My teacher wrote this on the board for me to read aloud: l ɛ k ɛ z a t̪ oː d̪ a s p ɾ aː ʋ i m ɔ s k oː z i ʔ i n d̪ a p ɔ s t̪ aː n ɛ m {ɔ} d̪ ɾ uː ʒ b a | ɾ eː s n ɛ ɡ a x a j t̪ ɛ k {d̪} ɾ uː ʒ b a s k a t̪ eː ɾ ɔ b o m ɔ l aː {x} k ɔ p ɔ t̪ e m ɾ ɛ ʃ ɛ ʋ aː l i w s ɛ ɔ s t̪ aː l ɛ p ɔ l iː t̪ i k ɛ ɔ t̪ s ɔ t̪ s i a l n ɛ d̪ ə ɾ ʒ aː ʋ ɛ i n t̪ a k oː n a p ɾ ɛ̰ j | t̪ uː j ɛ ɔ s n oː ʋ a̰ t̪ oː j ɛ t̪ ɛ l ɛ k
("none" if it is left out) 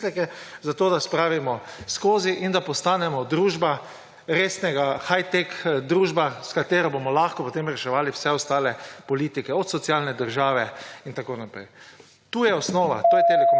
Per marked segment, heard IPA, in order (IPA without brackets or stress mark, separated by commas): ɔ, d̪, x